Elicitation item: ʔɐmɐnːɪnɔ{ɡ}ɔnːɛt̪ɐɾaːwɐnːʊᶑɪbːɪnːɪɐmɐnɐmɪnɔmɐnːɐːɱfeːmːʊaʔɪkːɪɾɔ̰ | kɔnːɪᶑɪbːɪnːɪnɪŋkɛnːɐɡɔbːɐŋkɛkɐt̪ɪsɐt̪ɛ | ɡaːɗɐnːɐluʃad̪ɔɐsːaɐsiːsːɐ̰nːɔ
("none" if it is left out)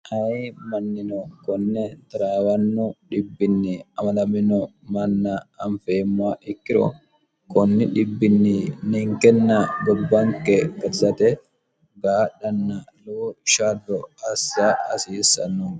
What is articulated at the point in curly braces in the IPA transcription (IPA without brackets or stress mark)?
k